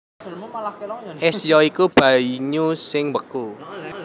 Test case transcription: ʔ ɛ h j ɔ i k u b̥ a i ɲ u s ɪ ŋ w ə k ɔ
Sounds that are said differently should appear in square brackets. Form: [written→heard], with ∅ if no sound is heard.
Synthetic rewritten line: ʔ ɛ [h→s] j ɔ i k u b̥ a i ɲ u s ɪ ŋ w ə k [ɔ→u]